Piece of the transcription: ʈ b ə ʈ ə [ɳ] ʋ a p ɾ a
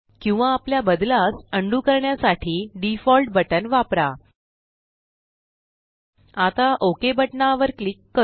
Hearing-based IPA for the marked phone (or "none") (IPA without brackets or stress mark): n